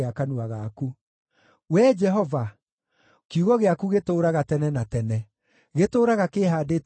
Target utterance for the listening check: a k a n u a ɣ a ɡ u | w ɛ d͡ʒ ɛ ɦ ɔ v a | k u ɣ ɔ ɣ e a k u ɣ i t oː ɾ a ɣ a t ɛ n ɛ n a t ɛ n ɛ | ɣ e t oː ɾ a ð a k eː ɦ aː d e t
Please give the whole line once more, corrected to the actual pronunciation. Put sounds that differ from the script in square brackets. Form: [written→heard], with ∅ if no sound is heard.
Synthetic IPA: a k a n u a ɣ a [ɡ→k] u | w ɛ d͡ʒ ɛ ɦ ɔ v a | k u ɣ ɔ ɣ e a k u ɣ [i→e] t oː ɾ a ɣ a t ɛ n ɛ n a t ɛ n ɛ | ɣ e t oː ɾ a [ð→ɣ] a k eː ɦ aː d e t